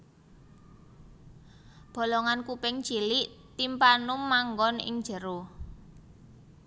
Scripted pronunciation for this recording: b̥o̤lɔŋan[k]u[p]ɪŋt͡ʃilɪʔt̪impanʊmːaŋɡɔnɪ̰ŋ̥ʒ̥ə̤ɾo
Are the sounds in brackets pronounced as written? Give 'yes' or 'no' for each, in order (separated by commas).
yes, yes